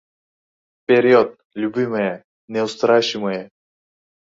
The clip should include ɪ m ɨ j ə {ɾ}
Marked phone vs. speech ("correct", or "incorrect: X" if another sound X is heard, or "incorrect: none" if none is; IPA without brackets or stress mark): incorrect: none